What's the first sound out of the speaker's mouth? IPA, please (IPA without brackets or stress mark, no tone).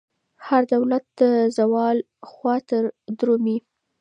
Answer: h